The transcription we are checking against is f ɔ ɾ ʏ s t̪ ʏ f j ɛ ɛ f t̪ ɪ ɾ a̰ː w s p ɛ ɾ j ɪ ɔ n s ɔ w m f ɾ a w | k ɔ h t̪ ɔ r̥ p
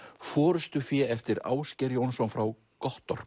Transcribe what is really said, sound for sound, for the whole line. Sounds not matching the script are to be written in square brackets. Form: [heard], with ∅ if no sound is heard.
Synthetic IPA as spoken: f [ɔː] ɾ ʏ s t̪ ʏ f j ɛ ɛ f t̪ ɪ ɾ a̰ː w s [c] ɛ ɾ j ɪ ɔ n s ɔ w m f ɾ a w | k ɔ h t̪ ɔ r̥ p